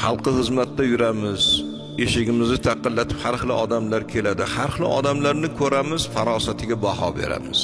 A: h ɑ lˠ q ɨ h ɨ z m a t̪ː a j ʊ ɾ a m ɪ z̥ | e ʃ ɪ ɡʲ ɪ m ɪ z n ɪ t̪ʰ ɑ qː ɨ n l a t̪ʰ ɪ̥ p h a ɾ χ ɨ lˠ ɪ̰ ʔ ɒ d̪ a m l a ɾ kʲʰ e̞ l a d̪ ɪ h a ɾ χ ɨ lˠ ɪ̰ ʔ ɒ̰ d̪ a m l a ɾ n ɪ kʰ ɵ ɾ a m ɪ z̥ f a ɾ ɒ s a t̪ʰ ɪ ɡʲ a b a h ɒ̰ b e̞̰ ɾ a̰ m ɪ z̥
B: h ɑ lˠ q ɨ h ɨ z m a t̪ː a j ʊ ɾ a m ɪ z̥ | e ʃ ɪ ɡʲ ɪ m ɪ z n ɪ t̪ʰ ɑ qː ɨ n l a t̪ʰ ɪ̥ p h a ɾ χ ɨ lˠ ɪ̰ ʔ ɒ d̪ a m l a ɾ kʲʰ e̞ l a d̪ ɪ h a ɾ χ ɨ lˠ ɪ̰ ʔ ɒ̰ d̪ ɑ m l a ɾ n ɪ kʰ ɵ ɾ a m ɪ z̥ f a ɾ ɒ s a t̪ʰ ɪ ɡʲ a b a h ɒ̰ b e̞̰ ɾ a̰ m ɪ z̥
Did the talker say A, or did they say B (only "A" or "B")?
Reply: A